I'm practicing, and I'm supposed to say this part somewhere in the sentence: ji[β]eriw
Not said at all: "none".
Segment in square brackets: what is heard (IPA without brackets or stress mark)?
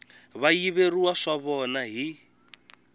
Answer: β